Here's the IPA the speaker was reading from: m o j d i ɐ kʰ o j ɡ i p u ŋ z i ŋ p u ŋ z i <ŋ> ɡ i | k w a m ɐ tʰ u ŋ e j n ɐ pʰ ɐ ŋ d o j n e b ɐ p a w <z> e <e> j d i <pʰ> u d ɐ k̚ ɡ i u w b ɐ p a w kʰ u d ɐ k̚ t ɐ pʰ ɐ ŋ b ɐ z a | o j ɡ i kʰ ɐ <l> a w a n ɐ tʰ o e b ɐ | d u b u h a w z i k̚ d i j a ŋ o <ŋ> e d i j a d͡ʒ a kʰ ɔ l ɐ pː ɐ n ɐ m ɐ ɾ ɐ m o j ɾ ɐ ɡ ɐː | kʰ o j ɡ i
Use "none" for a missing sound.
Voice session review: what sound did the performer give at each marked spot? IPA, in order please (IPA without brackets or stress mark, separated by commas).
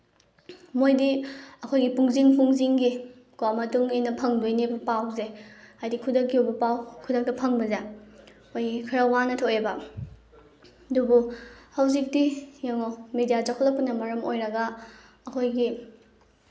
ŋ, z, a, kʰ, ɾ, m